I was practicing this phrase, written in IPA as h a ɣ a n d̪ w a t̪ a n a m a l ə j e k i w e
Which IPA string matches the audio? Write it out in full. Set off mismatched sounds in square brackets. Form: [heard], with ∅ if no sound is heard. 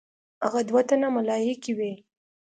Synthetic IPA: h a ɣ a [∅] d̪ w a t̪ a n a m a l [ɑ] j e k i w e